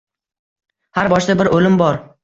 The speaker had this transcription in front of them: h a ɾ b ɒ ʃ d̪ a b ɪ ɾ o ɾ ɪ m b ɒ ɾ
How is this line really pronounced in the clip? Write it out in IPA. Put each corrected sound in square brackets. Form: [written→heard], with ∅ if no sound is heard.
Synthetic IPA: h a ɾ b ɒ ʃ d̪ a b ɪ ɾ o [ɾ→l] ɪ m b ɒ ɾ